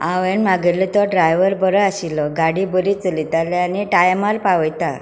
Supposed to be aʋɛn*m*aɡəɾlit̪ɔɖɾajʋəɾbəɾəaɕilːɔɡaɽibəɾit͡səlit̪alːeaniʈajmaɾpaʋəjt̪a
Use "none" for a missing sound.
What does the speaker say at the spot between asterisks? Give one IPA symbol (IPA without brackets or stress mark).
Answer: m